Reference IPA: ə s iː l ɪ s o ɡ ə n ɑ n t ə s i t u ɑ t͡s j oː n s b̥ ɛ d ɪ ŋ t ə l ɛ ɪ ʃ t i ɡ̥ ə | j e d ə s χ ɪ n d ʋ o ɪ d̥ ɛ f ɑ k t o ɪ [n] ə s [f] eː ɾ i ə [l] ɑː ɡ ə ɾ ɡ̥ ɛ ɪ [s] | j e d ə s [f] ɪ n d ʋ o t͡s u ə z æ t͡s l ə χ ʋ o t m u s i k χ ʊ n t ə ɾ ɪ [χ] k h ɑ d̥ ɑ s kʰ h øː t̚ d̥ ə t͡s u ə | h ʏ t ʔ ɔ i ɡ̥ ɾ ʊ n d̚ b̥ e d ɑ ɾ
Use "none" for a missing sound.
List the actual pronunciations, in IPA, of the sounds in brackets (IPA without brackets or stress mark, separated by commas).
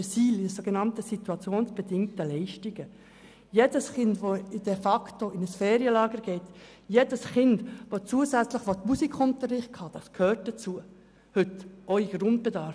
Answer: n, f, l, t, χ, χ